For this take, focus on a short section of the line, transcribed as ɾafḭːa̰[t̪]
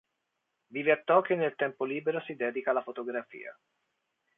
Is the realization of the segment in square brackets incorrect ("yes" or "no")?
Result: yes